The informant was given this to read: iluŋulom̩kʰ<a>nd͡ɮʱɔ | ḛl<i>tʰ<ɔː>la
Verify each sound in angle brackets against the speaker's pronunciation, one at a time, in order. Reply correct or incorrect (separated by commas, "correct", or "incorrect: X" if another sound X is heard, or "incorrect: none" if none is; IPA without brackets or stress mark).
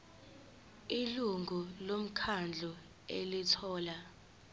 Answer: correct, correct, correct